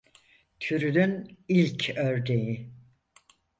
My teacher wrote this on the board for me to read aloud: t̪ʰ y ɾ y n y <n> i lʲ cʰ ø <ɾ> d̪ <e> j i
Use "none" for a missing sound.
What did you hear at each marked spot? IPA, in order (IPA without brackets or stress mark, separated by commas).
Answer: n, ɾ, e